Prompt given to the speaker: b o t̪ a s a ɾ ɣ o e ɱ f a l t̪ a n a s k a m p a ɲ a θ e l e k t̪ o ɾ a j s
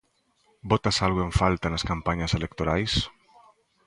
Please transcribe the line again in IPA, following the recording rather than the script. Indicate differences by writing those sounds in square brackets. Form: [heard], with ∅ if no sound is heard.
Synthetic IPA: b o t̪ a s a [l] ɣ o e ɱ f a l t̪ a n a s k a m p a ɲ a [s] e l e k t̪ o ɾ a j s